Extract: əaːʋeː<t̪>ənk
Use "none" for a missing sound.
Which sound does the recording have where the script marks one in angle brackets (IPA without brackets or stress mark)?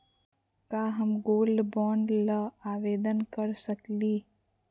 d̪